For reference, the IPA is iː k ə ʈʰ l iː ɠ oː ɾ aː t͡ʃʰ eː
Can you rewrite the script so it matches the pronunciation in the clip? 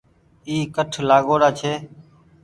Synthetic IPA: iː k ə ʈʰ l aː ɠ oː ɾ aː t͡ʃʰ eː